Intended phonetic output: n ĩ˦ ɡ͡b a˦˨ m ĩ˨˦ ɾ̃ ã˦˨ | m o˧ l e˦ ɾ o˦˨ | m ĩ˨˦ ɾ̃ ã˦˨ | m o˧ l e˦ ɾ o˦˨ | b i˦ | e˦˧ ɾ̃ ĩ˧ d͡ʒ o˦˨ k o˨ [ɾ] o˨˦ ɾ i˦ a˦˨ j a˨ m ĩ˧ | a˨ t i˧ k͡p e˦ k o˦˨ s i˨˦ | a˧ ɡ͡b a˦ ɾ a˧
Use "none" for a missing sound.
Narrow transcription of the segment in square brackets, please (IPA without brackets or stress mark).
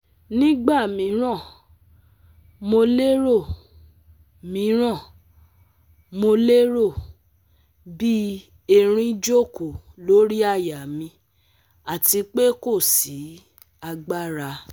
l